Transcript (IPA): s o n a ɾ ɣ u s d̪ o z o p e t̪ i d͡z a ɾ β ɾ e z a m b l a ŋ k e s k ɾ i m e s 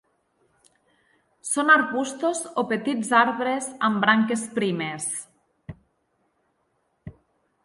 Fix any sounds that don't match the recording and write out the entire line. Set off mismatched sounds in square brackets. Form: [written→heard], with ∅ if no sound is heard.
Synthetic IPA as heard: s o n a ɾ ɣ u s [d̪→t̪] o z o p e t̪ i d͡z a ɾ β ɾ e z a m b [l→ɾ] a ŋ k e s [k→p] ɾ i m e s